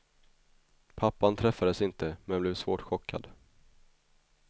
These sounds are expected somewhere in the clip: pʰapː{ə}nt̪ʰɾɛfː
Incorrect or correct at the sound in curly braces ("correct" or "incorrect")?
incorrect